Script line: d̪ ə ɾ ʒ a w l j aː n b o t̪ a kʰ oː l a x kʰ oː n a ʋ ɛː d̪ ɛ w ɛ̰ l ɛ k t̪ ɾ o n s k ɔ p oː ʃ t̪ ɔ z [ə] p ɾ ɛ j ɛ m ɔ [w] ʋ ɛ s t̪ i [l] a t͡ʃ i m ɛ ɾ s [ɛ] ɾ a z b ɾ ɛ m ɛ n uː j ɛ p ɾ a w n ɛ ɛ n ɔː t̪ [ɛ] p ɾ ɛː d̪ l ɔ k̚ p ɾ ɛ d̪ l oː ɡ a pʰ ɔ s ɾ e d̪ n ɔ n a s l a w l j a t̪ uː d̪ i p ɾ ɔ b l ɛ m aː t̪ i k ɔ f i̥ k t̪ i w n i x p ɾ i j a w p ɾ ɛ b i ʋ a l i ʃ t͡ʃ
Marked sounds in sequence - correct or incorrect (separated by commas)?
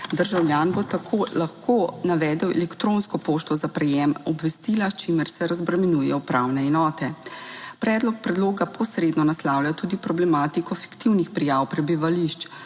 incorrect, incorrect, correct, correct, correct